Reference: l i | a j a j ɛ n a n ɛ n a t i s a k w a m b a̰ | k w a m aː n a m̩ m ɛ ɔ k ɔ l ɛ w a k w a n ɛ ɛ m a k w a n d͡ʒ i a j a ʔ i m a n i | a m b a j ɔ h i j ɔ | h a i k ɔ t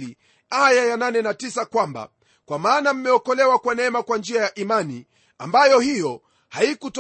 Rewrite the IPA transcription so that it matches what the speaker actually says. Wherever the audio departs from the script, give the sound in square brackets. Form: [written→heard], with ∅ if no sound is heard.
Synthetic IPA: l i | a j a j [ɛ→a] n a n ɛ n a t i s a k w a m b a̰ | k w a m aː n a m̩ m ɛ ɔ k ɔ l ɛ w a k w a n ɛ ɛ m a k w a n d͡ʒ i a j a ʔ i m a n i | a m b a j ɔ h i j ɔ | h a i k [ɔ→u] t